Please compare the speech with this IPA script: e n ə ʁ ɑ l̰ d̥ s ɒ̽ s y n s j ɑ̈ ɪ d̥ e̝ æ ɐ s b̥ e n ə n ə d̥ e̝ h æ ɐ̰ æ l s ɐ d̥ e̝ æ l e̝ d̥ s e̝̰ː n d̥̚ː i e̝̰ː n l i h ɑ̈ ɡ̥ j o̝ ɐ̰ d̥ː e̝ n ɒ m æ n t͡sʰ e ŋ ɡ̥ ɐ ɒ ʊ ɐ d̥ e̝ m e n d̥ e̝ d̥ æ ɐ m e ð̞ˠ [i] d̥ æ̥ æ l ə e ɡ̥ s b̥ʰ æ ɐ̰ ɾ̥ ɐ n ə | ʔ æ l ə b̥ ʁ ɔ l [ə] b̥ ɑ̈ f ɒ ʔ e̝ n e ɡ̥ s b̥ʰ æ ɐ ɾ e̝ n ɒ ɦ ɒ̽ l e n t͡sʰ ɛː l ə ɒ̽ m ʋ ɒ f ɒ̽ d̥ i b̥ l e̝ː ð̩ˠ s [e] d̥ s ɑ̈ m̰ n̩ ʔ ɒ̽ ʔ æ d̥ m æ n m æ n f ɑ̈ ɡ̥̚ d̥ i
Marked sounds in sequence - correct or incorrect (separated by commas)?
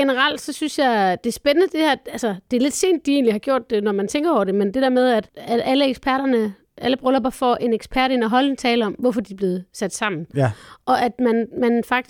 incorrect, incorrect, incorrect